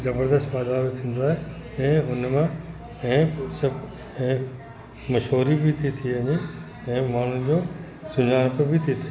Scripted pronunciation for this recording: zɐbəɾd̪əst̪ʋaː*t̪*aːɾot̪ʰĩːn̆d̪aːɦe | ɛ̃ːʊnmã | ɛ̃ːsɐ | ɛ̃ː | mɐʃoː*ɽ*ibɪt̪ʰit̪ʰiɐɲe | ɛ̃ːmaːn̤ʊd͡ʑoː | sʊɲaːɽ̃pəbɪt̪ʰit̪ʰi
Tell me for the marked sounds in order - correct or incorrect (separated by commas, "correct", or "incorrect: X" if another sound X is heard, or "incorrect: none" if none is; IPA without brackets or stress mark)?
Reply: incorrect: d̪, incorrect: ɾ